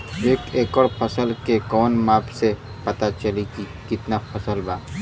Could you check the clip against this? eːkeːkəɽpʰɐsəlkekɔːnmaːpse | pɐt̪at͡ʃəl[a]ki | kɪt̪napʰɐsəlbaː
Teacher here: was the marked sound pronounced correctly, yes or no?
no